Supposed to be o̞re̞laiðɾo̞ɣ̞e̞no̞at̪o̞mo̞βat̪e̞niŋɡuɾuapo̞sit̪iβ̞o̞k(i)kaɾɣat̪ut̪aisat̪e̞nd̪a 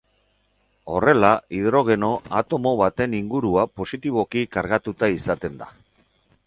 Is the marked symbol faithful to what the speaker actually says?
yes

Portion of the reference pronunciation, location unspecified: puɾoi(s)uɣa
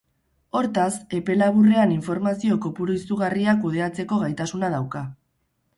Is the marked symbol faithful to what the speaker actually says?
yes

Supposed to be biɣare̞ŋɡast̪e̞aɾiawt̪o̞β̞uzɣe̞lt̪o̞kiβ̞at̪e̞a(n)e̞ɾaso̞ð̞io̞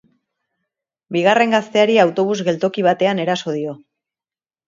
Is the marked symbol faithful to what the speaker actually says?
yes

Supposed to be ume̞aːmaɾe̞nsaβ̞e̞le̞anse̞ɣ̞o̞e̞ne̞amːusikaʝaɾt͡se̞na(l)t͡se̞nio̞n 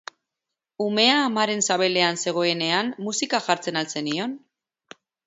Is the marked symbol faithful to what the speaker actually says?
yes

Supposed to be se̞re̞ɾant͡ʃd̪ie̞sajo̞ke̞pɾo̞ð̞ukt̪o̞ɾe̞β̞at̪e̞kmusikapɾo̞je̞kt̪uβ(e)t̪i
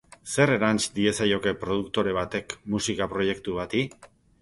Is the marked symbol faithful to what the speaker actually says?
no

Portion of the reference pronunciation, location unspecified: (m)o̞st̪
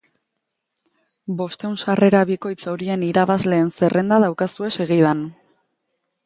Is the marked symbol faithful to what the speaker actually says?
no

